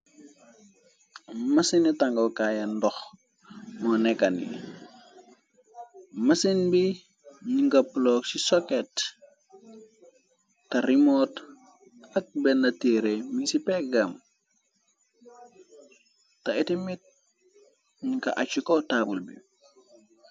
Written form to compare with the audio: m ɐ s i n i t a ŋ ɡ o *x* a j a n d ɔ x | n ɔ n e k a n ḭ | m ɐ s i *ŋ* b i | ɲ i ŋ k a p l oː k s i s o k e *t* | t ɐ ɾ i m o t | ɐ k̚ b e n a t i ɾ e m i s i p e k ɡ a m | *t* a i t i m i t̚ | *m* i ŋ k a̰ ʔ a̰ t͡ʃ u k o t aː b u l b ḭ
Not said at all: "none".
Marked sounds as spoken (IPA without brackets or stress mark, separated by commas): k, n, t, t, ɲ